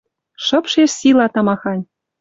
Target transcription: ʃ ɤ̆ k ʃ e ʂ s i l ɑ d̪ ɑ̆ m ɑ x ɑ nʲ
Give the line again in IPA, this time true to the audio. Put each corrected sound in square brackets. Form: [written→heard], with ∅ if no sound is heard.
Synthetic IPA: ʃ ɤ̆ [k→p] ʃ e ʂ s i l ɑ [d̪→t̪] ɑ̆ m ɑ x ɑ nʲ